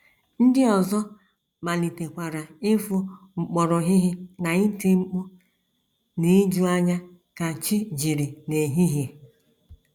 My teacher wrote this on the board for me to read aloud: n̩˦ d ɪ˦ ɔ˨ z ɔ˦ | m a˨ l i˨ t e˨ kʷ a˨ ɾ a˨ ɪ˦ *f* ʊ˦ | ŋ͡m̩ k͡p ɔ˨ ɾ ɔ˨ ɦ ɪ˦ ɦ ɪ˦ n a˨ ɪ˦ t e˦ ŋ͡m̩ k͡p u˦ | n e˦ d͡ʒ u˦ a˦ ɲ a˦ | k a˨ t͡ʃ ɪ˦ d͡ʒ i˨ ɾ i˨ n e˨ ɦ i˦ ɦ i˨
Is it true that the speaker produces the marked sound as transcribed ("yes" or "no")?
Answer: yes